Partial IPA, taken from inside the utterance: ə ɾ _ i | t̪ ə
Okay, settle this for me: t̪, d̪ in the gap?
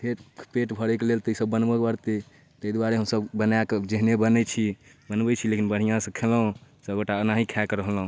t̪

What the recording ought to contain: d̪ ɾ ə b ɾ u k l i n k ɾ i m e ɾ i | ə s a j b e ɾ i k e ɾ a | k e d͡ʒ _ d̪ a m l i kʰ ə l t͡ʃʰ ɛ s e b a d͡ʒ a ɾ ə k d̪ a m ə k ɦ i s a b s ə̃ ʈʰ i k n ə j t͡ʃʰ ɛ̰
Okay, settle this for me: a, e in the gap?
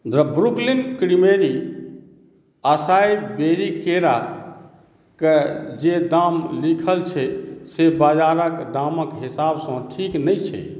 e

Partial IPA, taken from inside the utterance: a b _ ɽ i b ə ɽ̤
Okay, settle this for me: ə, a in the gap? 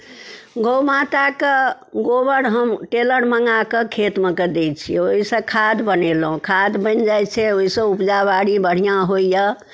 a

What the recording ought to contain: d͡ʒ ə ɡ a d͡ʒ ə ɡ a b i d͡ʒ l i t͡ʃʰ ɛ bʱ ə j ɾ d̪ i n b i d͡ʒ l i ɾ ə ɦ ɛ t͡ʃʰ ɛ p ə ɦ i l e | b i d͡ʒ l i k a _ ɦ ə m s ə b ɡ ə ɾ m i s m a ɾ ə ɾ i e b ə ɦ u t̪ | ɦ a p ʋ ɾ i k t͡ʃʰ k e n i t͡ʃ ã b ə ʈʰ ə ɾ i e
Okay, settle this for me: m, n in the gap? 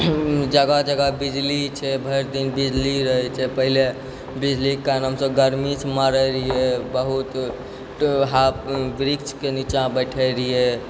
n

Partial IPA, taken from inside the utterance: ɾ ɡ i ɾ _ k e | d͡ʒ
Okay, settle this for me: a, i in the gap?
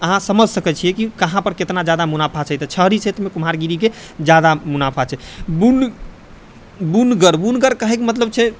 i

